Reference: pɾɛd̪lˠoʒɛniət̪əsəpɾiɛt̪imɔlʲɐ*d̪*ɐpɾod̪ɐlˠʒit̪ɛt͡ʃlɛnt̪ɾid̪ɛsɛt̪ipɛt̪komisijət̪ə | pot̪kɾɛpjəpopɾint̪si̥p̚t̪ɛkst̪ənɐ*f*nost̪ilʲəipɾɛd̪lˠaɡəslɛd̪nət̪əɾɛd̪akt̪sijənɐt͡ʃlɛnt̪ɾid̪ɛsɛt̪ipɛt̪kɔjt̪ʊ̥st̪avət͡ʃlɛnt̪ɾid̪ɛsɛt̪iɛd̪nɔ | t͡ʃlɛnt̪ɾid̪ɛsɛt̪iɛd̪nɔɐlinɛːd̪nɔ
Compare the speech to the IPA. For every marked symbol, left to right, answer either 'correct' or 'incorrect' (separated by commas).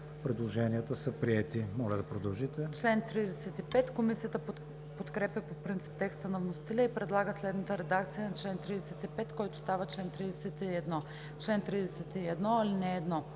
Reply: correct, incorrect